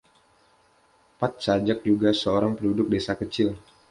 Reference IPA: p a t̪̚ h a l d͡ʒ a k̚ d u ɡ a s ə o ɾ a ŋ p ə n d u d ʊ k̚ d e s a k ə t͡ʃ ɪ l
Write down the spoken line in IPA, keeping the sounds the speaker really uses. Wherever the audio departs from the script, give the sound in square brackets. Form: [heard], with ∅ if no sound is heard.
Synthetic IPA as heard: p a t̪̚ [s] a [∅] d͡ʒ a k̚ [d͡ʒ] u ɡ a s ə o ɾ a ŋ p ə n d u d ʊ k̚ d e s a k ə t͡ʃ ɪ l